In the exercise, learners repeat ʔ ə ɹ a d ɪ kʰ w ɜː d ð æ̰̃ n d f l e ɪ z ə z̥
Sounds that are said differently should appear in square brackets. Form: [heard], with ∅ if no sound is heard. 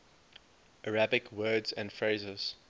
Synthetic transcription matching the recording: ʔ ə ɹ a [b] ɪ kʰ w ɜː d [z] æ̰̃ n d f [ɹ] e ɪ z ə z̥